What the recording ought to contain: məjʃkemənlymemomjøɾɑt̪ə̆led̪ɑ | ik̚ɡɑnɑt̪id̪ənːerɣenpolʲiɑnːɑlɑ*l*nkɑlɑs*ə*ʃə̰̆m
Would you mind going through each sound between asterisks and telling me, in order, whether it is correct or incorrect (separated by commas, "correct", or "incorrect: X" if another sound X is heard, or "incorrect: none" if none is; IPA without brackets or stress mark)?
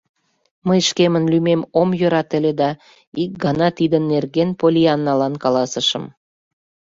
incorrect: none, correct